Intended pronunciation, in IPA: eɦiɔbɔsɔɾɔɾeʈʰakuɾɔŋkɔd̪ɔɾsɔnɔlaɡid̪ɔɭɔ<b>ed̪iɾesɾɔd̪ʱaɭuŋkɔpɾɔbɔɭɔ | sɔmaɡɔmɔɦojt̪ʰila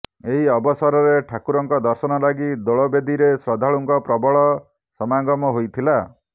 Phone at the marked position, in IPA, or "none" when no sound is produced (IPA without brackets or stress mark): b